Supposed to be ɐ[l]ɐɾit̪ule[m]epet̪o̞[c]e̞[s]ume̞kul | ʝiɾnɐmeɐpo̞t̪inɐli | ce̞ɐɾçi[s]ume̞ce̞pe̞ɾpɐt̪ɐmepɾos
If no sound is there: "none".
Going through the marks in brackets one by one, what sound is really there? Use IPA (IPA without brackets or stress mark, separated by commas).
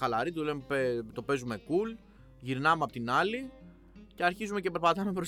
l, m, p, z, z